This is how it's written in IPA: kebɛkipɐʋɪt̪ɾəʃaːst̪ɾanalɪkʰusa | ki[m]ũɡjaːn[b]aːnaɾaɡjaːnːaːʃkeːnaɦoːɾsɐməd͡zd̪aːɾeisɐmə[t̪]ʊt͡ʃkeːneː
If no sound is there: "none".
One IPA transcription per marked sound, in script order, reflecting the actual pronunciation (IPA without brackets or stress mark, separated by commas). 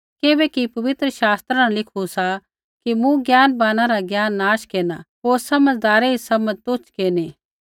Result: m, b, t̪